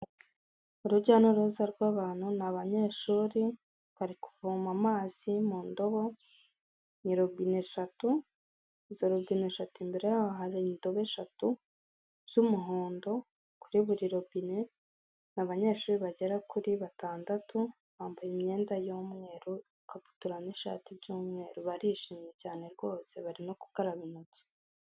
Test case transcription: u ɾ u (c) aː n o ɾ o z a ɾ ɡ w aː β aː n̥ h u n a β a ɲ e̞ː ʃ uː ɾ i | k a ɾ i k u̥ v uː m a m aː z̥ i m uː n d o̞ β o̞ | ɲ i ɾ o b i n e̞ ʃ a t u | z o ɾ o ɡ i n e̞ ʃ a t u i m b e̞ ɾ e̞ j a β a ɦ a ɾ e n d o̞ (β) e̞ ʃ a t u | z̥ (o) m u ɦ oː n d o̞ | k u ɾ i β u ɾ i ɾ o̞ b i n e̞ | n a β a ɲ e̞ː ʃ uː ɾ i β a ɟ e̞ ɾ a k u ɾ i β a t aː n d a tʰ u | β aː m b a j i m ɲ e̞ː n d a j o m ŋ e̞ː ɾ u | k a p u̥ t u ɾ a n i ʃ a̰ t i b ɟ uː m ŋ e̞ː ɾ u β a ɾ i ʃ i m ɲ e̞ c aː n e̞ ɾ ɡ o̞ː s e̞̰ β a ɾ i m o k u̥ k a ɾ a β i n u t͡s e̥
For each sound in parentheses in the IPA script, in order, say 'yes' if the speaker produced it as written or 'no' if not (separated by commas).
no, yes, no